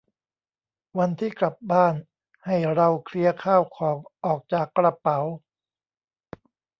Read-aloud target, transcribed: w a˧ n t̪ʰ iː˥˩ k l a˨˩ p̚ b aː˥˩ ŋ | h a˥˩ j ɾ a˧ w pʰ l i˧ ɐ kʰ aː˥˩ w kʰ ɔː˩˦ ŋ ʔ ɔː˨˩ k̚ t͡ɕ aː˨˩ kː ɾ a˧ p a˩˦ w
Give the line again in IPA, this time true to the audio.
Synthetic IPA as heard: w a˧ n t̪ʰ iː˥˩ k l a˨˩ p̚ b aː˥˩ n | h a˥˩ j ɾ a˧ w kʰ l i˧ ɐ kʰ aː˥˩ w kʰ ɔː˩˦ ŋ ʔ ɔː˨˩ k̚ t͡ɕ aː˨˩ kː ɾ a˧ p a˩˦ w

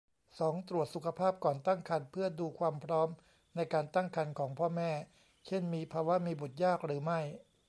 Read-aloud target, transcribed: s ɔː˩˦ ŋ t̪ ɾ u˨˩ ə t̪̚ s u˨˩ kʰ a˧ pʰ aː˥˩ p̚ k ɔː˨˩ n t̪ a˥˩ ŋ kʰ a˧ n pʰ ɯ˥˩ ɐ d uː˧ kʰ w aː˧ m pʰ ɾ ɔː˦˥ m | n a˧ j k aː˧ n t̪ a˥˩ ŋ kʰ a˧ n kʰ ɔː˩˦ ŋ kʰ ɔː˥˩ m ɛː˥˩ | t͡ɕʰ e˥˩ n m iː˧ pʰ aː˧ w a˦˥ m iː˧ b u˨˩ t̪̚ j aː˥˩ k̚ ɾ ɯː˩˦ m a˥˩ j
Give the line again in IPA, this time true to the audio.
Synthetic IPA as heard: s ɔː˩˦ ŋ t̪ ɾ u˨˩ ə t̪̚ s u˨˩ kʰ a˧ pʰ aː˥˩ p̚ k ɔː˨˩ n t̪ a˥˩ ŋ kʰ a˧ n pʰ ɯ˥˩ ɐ d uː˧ kʰ w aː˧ m pʰ ɾ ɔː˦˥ m | n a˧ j k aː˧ n t̪ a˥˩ ŋ kʰ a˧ n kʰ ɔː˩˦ ŋ pʰ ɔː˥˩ m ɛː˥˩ | t͡ɕʰ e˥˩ n m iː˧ pʰ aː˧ w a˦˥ m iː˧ b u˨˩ t̪̚ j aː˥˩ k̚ ɾ ɯː˩˦ m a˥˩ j

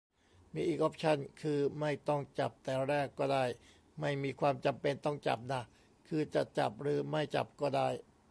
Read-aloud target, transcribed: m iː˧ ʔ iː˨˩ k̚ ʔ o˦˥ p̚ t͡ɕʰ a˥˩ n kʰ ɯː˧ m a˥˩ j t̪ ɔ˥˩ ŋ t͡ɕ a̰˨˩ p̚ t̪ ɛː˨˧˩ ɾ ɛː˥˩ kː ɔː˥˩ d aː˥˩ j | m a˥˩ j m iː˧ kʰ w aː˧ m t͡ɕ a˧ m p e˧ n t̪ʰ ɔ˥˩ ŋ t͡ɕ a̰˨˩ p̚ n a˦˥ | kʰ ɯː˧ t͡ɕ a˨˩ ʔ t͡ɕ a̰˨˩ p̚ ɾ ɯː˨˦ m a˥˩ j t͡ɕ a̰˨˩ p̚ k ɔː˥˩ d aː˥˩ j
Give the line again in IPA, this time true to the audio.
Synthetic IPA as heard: m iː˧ ʔ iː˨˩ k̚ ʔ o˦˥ p̚ t͡ɕʰ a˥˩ n kʰ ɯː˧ m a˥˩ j t̪ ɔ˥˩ ŋ t͡ɕ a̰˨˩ p̚ t̪ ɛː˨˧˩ ɾ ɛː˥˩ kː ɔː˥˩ d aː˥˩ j | m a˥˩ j m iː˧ kʰ w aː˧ m t͡ɕ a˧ m p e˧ n t̪ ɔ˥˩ ŋ t͡ɕ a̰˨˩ p̚ n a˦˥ | kʰ ɯː˧ t͡ɕ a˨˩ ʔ t͡ɕ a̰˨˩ p̚ ɾ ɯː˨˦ m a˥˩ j t͡ɕ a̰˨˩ p̚ k ɔː˥˩ d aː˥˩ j

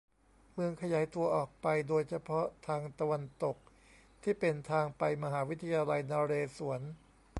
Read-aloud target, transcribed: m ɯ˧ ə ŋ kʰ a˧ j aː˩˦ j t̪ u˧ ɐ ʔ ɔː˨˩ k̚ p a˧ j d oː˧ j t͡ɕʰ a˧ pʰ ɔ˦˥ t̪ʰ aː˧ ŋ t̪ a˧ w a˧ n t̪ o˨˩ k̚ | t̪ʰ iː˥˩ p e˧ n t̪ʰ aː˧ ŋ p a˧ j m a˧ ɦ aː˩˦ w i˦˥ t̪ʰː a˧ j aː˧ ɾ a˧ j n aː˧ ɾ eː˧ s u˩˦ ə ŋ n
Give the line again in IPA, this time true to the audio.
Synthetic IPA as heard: m ɯ˧ ə ŋ kʰ a˧ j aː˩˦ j t̪ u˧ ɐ ʔ ɔː˨˩ k̚ p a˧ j d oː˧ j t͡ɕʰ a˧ pʰ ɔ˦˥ t̪ʰ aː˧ ŋ t̪ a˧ w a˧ n t̪ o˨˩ k̚ | t̪ʰ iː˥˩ p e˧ n t̪ʰ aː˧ ŋ p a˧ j m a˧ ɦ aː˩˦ w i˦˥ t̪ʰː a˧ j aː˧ l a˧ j n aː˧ ɾ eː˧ s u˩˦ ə n

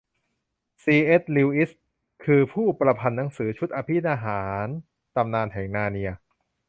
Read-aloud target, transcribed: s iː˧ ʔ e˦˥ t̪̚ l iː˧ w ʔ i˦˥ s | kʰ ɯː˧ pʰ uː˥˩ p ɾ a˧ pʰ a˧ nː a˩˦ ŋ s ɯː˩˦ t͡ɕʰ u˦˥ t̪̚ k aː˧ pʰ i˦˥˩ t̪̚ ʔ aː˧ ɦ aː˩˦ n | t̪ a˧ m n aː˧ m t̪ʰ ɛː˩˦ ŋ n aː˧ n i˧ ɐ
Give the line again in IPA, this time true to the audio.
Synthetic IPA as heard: s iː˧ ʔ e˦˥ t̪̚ l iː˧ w ʔ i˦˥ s | kʰ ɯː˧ pʰ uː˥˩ p ɾ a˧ pʰ a˧ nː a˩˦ ŋ s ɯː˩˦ t͡ɕʰ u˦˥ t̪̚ ʔ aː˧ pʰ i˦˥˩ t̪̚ ʔ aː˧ ɦ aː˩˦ n | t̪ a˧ m n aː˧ n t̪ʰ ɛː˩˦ ŋ n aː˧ n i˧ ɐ

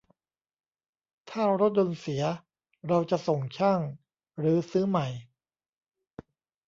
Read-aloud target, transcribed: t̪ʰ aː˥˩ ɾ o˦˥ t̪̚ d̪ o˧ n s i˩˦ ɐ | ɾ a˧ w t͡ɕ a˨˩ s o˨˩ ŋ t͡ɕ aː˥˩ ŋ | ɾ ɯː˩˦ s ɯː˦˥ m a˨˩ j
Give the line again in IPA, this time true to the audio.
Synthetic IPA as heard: t̪ʰ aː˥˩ ɾ o˦˥ t̪̚ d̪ o˧ n s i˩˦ ɐ | ɾ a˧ w t͡ɕ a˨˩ s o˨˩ ŋ t͡ɕʰ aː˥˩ ŋ | ɾ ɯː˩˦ s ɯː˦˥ m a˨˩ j

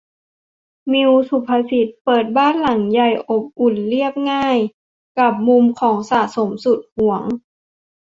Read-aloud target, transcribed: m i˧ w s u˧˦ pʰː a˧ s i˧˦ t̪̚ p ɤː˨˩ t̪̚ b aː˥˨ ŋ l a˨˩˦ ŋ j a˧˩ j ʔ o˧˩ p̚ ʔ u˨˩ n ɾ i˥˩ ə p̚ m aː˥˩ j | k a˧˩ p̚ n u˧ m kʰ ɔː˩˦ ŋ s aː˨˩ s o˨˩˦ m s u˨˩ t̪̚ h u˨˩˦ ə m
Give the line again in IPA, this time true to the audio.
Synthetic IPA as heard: m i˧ w s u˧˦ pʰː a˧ s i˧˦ t̪̚ p ɤː˨˩ t̪̚ b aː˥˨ n l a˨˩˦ ŋ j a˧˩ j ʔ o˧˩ p̚ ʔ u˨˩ n l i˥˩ ə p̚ ŋ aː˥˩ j | k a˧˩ p̚ m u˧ m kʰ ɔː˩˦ ŋ s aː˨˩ s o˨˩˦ m s u˨˩ t̪̚ h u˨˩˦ ə ŋ

